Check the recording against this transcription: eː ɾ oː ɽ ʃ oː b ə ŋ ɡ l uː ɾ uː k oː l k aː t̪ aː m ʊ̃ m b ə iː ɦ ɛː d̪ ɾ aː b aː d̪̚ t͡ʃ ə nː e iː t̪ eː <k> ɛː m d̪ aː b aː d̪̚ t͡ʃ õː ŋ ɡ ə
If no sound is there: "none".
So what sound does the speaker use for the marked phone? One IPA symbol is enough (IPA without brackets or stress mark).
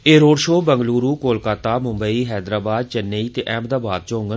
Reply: ʔ